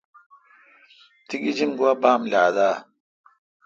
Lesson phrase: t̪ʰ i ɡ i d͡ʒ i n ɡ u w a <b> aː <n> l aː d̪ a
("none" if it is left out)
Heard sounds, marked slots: b, m

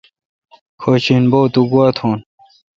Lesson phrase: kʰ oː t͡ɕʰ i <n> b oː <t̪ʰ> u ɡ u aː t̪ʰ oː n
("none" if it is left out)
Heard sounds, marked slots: n, t̪

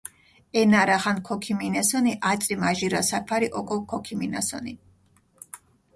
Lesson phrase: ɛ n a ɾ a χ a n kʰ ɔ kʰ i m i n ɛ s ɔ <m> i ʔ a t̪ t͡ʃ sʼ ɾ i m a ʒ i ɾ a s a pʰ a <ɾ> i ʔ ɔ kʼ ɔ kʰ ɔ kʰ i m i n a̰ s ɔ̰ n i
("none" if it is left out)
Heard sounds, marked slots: n, ɾ

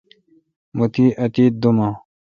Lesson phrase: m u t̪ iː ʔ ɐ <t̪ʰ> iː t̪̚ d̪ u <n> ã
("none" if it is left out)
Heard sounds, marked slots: t̪, m

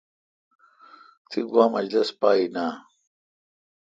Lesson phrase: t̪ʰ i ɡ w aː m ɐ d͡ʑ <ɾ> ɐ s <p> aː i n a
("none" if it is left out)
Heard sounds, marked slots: l, p

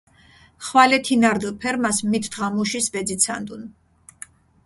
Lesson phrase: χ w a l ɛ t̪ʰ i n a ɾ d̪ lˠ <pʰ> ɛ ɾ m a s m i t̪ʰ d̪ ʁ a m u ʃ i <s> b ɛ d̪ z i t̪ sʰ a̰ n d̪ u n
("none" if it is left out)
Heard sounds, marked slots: pʰ, s

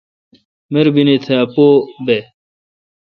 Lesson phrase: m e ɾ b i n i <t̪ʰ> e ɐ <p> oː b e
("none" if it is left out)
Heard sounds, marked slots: t̪ʰ, p

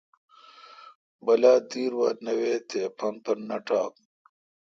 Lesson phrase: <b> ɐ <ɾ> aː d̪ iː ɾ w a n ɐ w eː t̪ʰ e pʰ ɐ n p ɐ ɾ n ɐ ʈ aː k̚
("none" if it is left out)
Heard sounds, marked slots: b, l

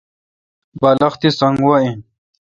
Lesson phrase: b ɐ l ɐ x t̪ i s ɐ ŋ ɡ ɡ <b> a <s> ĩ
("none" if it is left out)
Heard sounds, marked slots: w, none

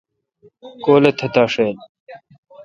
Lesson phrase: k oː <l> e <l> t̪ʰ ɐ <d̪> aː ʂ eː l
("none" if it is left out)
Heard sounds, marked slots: l, none, t̪

